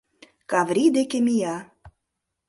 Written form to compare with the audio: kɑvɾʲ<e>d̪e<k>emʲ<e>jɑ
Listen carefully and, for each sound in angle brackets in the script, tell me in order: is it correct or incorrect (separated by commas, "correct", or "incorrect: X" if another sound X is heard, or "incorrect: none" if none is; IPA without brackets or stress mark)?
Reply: incorrect: i, correct, incorrect: i